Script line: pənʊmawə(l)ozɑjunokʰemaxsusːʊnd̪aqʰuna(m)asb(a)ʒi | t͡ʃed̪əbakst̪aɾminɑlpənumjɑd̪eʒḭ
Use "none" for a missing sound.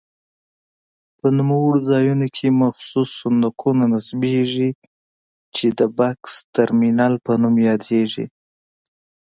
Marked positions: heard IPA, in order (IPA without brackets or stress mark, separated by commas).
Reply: ɽ, n, e